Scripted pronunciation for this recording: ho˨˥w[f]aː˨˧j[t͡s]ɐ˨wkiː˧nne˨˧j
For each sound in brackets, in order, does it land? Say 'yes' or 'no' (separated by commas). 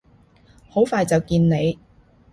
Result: yes, yes